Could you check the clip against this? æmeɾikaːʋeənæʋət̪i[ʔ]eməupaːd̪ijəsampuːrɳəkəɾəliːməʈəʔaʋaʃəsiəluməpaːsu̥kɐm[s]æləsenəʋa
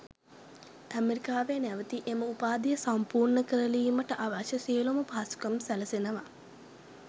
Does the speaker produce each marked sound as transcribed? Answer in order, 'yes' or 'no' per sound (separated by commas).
yes, yes